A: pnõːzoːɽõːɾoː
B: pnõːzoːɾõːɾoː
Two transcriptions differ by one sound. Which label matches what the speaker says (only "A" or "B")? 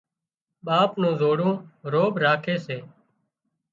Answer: A